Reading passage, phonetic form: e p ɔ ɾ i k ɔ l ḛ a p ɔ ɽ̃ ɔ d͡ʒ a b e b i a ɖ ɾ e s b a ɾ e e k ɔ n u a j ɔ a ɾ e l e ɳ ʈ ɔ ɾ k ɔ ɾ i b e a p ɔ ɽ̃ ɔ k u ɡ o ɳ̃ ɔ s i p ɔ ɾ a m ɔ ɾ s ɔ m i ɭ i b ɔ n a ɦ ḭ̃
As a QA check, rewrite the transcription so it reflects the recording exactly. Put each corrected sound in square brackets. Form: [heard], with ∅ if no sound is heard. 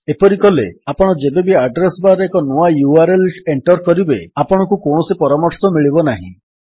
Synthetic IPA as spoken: e p ɔ ɾ i k ɔ l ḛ a p ɔ ɽ̃ ɔ d͡ʒ [e] b e b i a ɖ ɾ e s b a ɾ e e k ɔ n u a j [u] a ɾ e l e ɳ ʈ ɔ ɾ k ɔ ɾ i b e a p ɔ ɽ̃ ɔ k u [k] o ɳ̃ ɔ s i p ɔ ɾ a m ɔ ɾ s ɔ m i ɭ i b ɔ n a ɦ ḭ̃